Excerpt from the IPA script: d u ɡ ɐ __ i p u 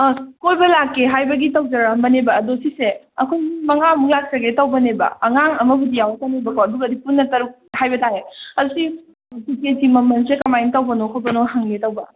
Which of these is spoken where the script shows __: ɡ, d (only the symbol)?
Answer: d